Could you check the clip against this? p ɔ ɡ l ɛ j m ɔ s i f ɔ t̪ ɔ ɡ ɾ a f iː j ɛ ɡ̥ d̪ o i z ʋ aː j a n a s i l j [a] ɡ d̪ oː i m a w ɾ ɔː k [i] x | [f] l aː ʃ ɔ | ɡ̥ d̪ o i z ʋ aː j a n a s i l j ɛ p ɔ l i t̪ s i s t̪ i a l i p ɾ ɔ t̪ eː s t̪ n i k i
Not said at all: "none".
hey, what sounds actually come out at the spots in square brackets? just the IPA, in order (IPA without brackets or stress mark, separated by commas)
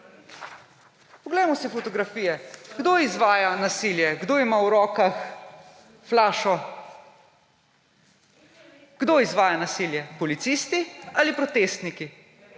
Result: ɛ, a, f